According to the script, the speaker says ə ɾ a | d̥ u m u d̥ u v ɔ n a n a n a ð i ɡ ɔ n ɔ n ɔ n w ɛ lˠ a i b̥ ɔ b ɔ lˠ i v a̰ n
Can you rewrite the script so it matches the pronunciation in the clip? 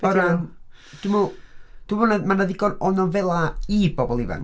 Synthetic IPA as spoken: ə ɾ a | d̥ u m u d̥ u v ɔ n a m a n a ð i ɡ ɔ n ɔ n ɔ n v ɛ lˠ a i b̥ ɔ b ɔ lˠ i v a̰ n